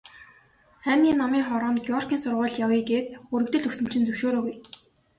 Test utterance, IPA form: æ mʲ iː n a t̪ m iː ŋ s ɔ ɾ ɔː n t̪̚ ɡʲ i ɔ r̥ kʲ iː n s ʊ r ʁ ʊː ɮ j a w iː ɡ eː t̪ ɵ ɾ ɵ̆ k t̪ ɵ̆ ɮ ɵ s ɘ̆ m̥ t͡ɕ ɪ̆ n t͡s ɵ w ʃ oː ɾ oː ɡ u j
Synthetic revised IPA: æ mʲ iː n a m iː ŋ χ ɔ ɾ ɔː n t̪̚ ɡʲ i ɔ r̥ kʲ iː n s ʊ r ʁ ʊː ɮ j a w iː ɡ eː t̪ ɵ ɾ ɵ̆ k t̪ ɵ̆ ɮ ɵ s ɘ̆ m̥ t͡ɕ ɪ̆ n t͡s ɵ w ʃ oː ɾ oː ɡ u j